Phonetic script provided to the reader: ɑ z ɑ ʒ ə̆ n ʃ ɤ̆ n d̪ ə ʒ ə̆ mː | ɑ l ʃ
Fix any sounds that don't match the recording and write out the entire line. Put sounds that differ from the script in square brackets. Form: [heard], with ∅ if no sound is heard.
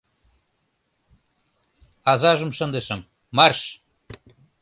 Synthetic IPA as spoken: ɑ z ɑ ʒ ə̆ [m] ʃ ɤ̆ n d̪ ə [ʃ] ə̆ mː | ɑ [r] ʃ